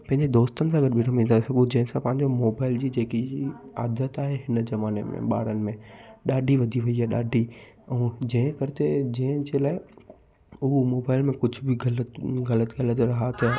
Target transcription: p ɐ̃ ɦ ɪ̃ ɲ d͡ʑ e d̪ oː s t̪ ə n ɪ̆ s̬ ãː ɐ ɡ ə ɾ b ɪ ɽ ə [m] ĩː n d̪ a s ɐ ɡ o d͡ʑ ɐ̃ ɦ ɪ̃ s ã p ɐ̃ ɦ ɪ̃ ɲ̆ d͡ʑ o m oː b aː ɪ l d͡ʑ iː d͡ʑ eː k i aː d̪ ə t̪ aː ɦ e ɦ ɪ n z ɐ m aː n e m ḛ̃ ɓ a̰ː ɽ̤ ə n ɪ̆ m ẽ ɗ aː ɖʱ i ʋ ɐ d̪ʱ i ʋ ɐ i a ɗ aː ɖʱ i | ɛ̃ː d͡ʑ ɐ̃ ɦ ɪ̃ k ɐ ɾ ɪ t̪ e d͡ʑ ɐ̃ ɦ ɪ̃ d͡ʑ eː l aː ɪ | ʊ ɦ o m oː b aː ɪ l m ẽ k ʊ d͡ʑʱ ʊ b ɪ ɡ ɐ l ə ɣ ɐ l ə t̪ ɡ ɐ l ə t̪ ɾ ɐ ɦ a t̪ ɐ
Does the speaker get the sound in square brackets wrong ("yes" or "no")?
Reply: no